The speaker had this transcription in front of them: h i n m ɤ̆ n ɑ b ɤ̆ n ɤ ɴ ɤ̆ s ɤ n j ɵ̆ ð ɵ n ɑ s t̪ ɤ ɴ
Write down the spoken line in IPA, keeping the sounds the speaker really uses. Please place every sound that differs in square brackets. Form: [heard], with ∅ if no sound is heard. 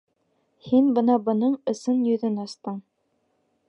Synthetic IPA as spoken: h i n [b] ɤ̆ n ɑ b ɤ̆ n ɤ ɴ ɤ̆ s ɤ n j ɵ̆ ð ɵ n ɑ s t̪ ɤ ɴ